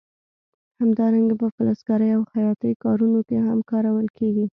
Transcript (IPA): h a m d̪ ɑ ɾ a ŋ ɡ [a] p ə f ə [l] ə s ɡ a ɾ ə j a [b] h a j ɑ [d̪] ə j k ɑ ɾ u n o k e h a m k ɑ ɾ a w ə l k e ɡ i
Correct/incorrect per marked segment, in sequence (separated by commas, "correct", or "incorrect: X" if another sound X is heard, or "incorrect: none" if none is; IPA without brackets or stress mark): correct, correct, incorrect: w, incorrect: t̪